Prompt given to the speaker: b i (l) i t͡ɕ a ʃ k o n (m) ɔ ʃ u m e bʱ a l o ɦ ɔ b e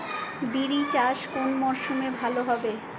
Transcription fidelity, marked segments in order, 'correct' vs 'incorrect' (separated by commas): incorrect, correct